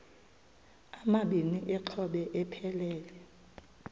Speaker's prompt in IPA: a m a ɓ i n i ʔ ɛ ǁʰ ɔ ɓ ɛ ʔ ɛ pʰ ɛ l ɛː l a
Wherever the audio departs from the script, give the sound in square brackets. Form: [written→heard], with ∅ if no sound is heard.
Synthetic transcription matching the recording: a m a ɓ i n i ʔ ɛ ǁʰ ɔ ɓ ɛ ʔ ɛ pʰ ɛ l ɛː l [a→ɛ]